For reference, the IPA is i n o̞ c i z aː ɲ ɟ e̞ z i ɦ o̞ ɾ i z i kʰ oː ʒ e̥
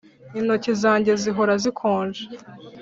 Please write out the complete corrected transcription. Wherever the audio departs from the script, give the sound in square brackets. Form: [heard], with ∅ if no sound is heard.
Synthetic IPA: i n o̞ c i z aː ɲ ɟ e̞ z i ɦ o̞ ɾ [a] z i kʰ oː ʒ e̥